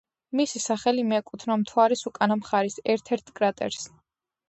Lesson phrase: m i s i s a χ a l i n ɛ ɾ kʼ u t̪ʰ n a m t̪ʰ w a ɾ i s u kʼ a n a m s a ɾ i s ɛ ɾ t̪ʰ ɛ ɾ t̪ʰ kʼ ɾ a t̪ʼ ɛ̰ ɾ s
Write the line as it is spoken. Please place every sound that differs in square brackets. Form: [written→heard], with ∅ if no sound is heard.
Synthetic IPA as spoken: m i s i s a χ [a→ɛ] l i [n→m] ɛ [ɾ→∅] kʼ u t̪ʰ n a m t̪ʰ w a ɾ i s u kʼ a n a m [s→χ] a ɾ i s ɛ ɾ t̪ʰ ɛ ɾ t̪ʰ kʼ ɾ a t̪ʼ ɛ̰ ɾ s